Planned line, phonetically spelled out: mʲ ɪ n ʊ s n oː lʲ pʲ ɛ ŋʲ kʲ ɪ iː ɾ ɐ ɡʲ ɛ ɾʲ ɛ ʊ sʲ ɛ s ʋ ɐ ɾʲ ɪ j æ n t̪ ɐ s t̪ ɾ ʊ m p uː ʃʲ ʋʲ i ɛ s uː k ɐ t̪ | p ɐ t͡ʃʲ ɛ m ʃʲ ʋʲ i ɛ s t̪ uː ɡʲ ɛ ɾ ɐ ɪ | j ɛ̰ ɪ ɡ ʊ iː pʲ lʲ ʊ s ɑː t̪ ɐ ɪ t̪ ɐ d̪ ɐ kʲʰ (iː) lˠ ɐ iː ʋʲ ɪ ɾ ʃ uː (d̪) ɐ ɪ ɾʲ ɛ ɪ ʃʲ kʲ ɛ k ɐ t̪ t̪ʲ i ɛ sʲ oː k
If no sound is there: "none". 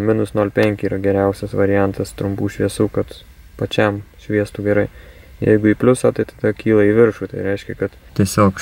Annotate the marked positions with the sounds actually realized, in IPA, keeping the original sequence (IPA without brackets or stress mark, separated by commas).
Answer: iː, t̪